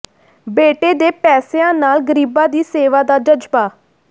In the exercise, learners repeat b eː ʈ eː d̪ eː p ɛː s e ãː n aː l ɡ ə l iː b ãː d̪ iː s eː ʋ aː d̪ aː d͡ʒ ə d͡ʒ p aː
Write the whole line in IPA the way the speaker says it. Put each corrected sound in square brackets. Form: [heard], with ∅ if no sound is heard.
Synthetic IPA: b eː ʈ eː d̪ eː p ɛː s e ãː n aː l ɡ ə [ɾ] iː b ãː d̪ iː s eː ʋ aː d̪ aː d͡ʒ ə d͡ʒ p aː